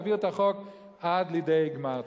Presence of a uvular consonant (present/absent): present